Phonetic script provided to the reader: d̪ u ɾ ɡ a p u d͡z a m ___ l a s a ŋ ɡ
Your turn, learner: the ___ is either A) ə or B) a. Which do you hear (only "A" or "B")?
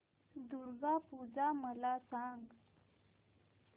A